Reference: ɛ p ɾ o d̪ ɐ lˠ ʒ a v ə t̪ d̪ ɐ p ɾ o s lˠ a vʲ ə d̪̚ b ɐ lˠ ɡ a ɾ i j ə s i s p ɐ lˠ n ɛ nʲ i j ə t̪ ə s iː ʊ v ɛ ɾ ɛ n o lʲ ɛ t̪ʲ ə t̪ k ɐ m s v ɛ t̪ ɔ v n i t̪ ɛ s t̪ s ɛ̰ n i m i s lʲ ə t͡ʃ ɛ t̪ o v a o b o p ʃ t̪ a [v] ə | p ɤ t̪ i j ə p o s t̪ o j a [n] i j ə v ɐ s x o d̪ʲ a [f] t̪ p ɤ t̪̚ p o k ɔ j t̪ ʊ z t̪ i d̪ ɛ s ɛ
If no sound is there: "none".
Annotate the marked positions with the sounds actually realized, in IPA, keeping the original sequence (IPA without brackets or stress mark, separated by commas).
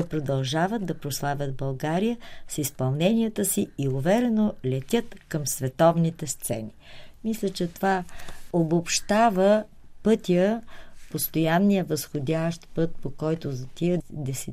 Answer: v, nː, ʃ